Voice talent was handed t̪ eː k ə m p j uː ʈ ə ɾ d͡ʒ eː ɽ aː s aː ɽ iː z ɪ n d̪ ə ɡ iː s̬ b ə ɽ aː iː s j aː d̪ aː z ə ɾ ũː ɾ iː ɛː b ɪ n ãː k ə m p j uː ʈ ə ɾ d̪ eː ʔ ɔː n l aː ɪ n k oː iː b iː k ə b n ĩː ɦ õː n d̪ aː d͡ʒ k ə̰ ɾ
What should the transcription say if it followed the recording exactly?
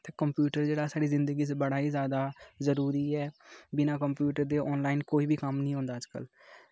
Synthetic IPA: t̪ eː k ə m p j uː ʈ ə ɾ d͡ʒ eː ɽ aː s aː ɽ iː z ɪ n d̪ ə ɡ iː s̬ b ə ɽ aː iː z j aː d̪ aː z ə ɾ uː ɾ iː ɛː b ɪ n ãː k ə m p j uː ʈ ə ɾ d̪ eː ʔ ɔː n l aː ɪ n k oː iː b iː k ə m n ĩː ɦ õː n d̪ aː d͡ʒ k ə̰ l